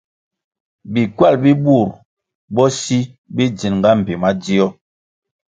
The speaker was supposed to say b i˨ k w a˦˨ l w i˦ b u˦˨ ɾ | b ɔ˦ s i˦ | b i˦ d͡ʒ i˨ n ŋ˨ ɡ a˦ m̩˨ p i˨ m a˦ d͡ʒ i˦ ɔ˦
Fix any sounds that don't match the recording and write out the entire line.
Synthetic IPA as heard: b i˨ k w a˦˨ l b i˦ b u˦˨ ɾ | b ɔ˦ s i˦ | b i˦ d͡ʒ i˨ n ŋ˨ ɡ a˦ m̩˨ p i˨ m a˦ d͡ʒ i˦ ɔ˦